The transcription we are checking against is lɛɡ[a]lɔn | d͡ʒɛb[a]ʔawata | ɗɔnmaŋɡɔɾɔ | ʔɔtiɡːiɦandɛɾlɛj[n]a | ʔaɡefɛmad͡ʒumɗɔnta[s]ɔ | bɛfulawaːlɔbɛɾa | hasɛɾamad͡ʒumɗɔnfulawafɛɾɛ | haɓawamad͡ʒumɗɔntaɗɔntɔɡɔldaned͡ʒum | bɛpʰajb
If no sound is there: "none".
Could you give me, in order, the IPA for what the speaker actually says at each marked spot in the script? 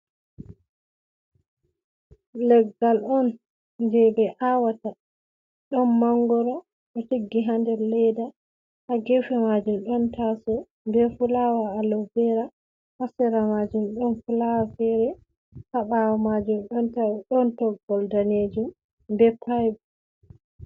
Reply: a, ɛ, d, s

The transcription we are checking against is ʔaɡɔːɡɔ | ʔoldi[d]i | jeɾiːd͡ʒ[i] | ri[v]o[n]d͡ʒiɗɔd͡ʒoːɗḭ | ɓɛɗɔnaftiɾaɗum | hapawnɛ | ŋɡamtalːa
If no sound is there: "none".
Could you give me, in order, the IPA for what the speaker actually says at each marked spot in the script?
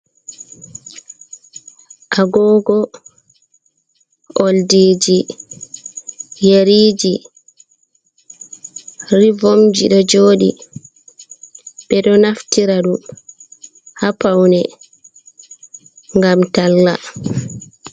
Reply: d͡ʒ, i, v, m

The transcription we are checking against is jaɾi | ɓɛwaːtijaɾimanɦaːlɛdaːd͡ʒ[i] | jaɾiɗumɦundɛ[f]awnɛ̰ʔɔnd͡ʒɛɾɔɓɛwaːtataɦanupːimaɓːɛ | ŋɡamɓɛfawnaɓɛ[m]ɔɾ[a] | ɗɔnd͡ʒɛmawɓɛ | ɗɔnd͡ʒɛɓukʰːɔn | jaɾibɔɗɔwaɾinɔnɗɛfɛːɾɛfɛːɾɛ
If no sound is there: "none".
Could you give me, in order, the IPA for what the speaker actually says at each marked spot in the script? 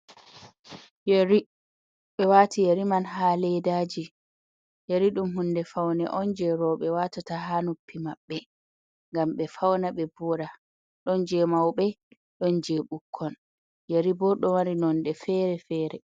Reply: i, f, b, a

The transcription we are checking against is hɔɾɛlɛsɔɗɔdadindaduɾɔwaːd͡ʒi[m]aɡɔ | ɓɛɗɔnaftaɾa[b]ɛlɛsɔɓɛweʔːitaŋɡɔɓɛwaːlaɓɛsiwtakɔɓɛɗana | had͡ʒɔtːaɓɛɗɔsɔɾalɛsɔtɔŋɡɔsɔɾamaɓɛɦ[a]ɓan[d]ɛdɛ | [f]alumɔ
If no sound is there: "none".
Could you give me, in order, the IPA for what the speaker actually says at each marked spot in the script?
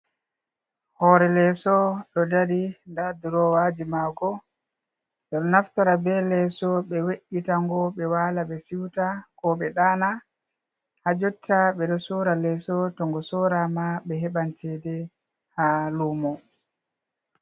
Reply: m, b, ɛ, t, h

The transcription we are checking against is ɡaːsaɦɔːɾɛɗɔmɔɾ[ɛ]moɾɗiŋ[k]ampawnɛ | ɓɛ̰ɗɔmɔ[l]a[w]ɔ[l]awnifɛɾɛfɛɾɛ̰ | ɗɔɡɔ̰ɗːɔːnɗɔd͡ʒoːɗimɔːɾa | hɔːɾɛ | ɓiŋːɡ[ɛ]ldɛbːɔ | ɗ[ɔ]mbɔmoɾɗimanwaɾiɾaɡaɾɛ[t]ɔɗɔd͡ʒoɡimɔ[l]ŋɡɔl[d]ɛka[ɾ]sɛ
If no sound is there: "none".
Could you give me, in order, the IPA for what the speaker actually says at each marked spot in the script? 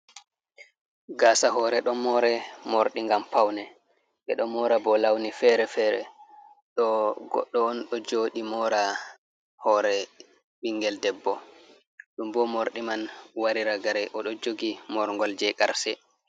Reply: ɛ, ɡ, ɾ, b, l, ɛ, u, ʔ, ɾ, d͡ʒ, ɾ

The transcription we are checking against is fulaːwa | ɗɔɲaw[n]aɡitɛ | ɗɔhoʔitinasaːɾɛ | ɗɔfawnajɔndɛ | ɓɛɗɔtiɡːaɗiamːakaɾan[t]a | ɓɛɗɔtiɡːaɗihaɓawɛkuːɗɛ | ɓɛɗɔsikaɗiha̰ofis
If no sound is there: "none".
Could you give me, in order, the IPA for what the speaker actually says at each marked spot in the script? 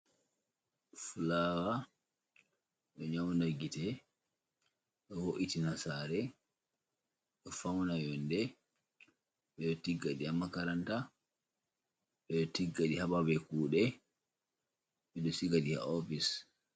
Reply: n, t

